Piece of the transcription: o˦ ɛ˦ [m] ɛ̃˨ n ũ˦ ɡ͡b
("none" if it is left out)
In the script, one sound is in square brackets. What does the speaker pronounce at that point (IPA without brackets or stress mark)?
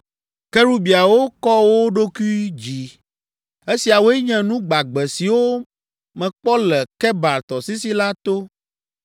ɲ